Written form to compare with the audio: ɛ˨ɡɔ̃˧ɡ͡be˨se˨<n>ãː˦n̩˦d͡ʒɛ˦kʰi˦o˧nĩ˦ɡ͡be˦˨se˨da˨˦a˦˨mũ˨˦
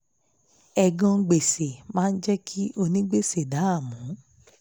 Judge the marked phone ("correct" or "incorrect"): incorrect